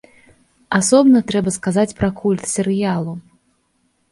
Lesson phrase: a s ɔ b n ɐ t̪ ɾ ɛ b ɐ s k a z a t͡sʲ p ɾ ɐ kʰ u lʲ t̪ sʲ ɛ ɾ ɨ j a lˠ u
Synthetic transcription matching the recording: a s ɔ b n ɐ t̪ ɾ ɛ b ɐ s k a z a t͡sʲ p ɾ ɐ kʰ u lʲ t̪ sʲ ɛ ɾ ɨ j a lˠ u